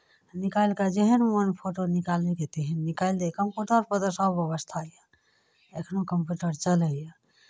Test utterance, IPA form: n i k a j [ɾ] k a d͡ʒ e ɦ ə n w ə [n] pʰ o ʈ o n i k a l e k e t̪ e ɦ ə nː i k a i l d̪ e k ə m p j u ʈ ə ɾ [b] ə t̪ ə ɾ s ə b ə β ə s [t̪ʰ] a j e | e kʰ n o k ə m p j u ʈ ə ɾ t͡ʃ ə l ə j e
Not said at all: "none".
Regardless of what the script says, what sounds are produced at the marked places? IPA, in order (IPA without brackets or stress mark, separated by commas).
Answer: l, n, p, t̪ʰ